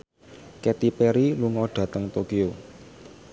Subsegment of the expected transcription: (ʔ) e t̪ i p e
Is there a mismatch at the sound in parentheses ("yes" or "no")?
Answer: yes